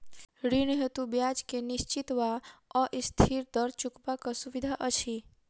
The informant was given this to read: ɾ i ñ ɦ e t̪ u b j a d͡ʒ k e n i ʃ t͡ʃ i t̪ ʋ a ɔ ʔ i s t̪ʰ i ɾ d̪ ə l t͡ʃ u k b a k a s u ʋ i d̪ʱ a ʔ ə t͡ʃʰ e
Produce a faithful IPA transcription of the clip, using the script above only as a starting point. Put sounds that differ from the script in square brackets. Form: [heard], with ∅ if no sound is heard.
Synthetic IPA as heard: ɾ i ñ ɦ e t̪ u b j a d͡ʒ k e n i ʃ t͡ʃ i t̪ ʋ a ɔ ʔ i s t̪ʰ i ɾ d̪ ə [ɾ] t͡ʃ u k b a k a s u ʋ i d̪ʱ a ʔ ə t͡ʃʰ [i]

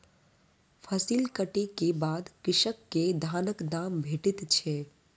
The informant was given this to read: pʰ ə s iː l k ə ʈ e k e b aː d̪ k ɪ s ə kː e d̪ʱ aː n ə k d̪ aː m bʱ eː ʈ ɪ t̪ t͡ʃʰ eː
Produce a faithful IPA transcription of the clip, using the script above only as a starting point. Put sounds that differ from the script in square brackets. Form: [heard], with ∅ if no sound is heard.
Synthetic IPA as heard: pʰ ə s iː l k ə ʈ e k e b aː d̪ k ɪ [ʃ] ə kː e d̪ʱ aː n ə k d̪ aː m bʱ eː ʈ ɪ t̪ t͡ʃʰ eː

